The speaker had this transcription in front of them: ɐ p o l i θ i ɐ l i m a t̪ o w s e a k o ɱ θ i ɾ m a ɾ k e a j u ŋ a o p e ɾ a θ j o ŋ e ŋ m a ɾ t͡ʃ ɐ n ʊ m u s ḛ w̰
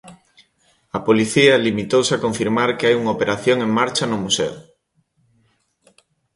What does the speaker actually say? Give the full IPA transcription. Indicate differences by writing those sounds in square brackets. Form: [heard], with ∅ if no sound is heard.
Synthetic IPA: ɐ p o l i θ i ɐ l i m [i] t̪ o w s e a k o ɱ [f] i ɾ m a ɾ k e a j u ŋ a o p e ɾ a θ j o ŋ e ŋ m a ɾ t͡ʃ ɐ n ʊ m u s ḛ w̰